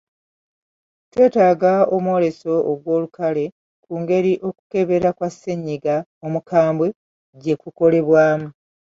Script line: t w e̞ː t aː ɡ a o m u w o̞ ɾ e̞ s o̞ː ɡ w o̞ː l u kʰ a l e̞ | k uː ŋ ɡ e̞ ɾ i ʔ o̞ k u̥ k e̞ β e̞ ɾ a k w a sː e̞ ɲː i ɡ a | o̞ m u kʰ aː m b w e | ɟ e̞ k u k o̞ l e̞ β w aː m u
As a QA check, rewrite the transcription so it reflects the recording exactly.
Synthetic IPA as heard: t w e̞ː t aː ɡ a o m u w o̞ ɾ e̞ s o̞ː ɡ w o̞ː l u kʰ a l e̞ | k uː ŋ ɡ e̞ ɾ i ʔ o̞ k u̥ k e̞ β e̞ ɾ a k w a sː e̞ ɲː i ɡ a | o̞ m u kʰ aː m b w e | ɟ e̞ k u k o̞ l e̞ β w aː m u